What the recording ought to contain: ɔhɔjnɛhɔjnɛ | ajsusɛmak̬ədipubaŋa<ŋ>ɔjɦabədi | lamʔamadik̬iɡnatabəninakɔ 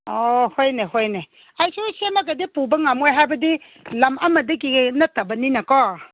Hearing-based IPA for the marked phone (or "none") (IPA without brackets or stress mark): m